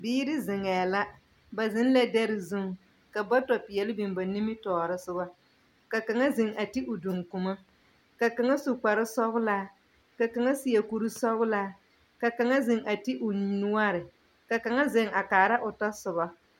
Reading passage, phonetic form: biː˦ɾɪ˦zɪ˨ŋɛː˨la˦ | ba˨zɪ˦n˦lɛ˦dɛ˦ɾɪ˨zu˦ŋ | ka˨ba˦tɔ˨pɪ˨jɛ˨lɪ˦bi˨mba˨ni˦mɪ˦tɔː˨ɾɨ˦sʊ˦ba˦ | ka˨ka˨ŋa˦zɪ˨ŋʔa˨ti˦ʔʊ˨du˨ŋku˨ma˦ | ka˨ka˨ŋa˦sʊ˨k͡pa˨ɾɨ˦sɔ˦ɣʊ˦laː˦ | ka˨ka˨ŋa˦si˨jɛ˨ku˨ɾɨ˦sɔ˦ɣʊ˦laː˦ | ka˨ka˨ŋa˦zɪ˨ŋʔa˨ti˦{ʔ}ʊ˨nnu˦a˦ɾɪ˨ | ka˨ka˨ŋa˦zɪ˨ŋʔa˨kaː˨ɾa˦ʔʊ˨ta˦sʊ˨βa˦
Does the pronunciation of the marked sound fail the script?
no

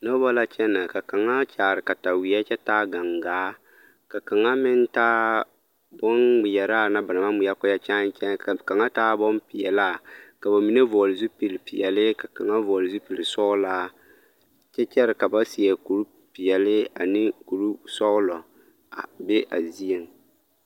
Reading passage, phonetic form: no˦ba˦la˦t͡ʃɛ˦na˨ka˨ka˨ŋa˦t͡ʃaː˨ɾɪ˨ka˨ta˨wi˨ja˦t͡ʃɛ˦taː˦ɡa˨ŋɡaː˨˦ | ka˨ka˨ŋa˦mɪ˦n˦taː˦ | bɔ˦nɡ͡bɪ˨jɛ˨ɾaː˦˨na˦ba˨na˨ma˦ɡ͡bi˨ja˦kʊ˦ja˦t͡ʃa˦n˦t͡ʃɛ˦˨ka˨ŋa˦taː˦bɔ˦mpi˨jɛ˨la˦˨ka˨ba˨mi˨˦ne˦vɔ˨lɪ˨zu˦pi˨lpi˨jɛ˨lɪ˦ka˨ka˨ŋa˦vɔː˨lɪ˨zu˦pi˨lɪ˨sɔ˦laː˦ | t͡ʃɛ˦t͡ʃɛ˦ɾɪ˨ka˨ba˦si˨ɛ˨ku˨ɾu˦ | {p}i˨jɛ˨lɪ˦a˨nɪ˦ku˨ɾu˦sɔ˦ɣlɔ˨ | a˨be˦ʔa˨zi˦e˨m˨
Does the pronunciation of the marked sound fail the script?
no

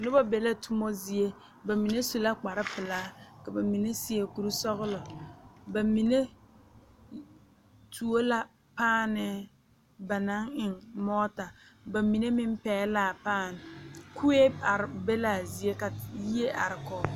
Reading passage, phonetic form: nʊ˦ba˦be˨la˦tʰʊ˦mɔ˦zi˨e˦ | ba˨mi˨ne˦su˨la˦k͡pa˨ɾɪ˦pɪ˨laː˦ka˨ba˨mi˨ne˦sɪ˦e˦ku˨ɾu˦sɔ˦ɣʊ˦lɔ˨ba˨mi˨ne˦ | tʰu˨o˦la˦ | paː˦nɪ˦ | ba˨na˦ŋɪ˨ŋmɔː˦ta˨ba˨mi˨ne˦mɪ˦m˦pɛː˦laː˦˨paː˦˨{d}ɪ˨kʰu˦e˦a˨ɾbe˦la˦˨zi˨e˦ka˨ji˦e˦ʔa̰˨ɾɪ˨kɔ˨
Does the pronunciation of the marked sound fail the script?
yes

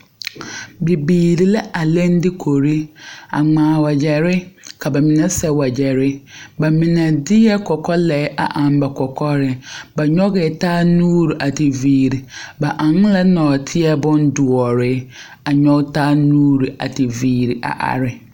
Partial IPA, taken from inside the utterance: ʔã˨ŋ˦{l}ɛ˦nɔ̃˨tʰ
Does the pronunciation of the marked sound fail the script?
no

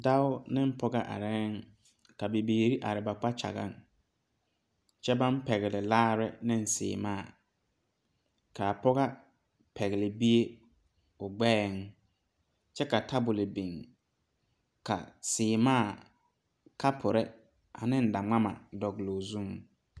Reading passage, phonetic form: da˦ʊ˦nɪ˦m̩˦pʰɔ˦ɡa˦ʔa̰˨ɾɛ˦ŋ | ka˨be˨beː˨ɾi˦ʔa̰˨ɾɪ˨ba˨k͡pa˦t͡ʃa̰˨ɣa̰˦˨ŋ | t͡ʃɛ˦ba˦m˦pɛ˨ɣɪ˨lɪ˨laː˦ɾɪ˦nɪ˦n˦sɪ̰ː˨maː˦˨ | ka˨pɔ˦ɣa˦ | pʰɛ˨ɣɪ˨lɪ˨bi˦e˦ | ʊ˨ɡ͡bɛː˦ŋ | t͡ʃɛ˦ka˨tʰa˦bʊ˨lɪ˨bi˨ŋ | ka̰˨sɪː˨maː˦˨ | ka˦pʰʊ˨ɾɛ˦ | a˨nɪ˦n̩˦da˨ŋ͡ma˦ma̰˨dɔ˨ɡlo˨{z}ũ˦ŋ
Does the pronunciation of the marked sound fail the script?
no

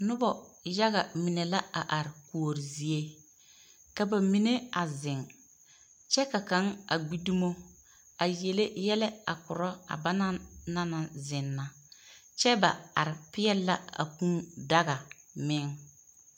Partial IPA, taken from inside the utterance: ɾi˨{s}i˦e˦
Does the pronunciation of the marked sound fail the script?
yes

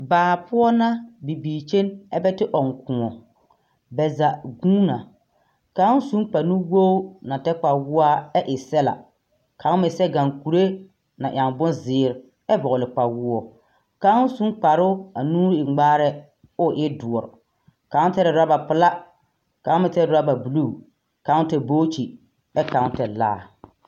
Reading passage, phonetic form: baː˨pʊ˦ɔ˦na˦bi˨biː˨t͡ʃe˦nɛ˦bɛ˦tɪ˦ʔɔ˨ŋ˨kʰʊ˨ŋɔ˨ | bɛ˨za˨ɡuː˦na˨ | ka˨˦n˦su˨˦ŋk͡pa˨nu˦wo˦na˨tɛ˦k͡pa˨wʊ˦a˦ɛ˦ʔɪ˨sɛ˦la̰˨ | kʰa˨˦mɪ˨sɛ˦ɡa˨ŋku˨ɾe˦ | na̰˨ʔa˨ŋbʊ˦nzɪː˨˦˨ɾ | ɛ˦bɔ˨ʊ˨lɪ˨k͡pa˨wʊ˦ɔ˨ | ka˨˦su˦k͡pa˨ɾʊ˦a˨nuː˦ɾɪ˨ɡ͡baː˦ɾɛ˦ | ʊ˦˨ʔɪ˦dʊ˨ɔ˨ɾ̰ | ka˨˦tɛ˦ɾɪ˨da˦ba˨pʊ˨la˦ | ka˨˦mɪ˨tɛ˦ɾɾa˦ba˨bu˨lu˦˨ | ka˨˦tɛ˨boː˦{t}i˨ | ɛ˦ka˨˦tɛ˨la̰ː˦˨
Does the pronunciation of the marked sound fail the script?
yes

